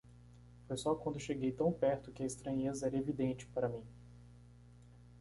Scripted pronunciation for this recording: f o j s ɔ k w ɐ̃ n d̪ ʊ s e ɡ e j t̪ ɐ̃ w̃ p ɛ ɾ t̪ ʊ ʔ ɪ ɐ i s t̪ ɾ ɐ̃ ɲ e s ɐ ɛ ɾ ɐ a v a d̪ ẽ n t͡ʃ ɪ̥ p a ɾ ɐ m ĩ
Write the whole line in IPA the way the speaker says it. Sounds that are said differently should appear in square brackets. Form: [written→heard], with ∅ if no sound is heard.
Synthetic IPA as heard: f o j s ɔ k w ɐ̃ n d̪ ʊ [s→ʃ] e ɡ e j t̪ ɐ̃ w̃ p ɛ ɾ t̪ ʊ [ʔ→k] ɪ ɐ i s t̪ ɾ ɐ̃ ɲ e [s→z] ɐ ɛ ɾ ɐ [a→e] v [a→i] d̪ ẽ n t͡ʃ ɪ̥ p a ɾ ɐ m ĩ